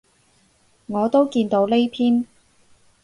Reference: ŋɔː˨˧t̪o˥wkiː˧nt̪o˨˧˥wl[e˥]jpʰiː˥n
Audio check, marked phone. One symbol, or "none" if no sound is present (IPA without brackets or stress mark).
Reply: e˥